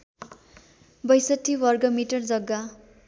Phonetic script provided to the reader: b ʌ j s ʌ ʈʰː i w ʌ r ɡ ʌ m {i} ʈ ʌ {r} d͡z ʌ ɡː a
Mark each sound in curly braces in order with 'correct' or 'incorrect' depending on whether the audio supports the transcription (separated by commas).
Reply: correct, correct